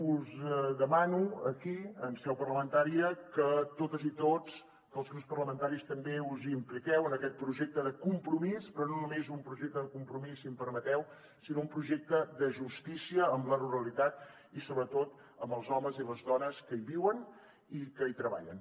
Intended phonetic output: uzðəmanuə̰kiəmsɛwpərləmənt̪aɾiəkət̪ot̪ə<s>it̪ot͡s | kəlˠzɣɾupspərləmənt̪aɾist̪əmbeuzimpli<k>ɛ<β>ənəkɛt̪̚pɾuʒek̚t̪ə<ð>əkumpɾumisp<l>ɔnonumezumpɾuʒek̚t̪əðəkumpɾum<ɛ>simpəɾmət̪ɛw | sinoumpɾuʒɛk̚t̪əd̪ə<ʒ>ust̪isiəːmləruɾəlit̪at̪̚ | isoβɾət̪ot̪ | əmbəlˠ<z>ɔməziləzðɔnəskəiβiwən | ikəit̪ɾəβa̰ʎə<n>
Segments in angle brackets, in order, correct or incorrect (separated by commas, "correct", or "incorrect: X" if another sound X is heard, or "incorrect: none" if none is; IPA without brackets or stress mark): incorrect: z, correct, incorrect: w, correct, incorrect: ɾ, incorrect: i, correct, correct, correct